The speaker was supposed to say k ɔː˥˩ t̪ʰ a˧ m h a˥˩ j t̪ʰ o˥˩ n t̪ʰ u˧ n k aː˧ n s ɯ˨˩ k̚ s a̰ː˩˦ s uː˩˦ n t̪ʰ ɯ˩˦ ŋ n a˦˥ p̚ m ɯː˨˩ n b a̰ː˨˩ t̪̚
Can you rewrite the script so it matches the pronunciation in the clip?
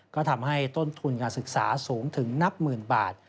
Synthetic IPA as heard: k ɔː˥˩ t̪ʰ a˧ m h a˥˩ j t̪ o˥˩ n t̪ʰ u˧ n k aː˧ n s ɯ˨˩ k̚ s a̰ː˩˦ s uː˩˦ ŋ t̪ʰ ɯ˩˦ ŋ n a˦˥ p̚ m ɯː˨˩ n b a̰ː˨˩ t̪̚